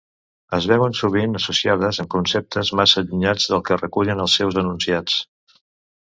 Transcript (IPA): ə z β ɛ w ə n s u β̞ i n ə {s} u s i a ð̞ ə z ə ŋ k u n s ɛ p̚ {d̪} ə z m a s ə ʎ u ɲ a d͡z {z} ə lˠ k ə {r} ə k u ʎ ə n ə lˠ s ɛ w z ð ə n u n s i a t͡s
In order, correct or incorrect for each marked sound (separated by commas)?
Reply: correct, incorrect, incorrect, correct